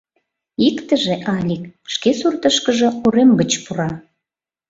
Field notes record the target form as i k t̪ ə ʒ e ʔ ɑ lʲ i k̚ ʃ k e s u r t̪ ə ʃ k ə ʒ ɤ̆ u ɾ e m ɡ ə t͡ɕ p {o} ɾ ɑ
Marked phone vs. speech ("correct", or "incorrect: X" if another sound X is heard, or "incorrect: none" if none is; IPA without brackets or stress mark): incorrect: u